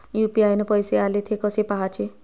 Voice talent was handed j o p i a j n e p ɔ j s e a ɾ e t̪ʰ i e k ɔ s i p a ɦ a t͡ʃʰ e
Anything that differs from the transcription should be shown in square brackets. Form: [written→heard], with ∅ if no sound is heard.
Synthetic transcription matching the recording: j [o→u] p i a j n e p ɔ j s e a [ɾ→l] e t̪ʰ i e k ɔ s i p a ɦ a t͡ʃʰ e